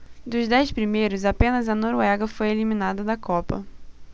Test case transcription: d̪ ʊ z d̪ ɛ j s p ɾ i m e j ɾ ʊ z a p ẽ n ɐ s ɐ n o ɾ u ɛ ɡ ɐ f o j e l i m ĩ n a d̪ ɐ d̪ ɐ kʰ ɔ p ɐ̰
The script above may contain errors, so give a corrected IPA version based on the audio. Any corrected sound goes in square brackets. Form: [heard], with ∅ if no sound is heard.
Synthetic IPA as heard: d̪ ʊ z d̪ ɛ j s p ɾ i m e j ɾ ʊ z a p ẽ n ɐ [z] ɐ n o ɾ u ɛ ɡ ɐ f o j e l i m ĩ n a d̪ ɐ d̪ ɐ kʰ ɔ p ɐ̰